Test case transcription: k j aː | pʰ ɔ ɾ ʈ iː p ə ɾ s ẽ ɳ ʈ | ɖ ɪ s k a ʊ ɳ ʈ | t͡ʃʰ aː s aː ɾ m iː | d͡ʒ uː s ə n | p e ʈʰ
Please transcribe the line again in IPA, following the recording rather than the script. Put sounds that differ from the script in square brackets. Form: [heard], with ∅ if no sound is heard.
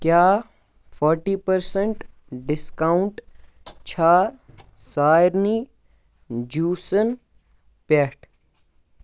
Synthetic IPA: k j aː | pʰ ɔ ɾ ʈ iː p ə ɾ s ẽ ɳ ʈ | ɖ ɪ s k a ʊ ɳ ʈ | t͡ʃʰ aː s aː ɾ [n] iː | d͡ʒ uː s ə n | p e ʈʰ